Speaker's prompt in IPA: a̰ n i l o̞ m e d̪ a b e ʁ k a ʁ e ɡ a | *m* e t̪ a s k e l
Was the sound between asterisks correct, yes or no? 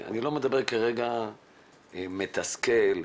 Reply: yes